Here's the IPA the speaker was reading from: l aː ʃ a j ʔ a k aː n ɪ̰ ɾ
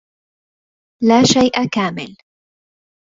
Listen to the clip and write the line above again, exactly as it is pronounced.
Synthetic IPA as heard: l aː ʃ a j ʔ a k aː m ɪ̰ l